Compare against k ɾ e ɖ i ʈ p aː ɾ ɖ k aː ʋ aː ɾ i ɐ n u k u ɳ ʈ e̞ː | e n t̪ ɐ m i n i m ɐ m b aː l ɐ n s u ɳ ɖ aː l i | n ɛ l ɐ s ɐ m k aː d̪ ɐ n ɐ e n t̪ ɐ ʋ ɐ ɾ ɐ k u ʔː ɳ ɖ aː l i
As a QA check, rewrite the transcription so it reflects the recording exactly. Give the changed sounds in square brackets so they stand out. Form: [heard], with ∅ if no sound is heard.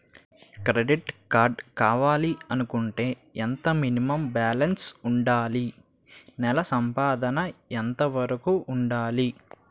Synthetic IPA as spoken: k ɾ e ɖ i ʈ [k] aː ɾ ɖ k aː ʋ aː [l] i ɐ n u k u ɳ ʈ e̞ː | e n t̪ ɐ m i n i m ɐ m b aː l ɐ n s u ɳ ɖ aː l i | n ɛ l ɐ s ɐ m [p] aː d̪ ɐ n ɐ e n t̪ ɐ ʋ ɐ ɾ ɐ k u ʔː ɳ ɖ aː l i